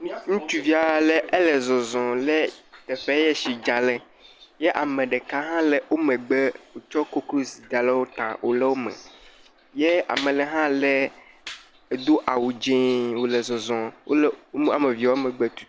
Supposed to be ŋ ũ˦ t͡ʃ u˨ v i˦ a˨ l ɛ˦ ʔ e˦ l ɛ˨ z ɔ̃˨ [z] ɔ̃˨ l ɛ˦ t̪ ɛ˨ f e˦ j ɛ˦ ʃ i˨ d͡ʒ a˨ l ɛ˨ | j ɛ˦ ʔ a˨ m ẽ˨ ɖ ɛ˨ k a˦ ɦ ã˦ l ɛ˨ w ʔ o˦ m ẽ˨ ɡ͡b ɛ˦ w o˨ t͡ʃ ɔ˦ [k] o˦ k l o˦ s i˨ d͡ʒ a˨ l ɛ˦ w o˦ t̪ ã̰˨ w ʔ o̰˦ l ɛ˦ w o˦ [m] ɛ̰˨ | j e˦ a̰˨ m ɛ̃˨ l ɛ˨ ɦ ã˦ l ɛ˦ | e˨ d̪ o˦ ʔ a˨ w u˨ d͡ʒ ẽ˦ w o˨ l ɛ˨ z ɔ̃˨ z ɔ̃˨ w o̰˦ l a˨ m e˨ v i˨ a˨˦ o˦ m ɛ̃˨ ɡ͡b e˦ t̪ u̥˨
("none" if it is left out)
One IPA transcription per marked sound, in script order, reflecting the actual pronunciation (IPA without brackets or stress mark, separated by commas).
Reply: z, k, m